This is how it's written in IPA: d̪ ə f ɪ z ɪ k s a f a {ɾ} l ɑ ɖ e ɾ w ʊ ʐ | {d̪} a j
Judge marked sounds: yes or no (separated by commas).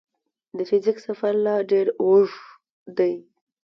yes, yes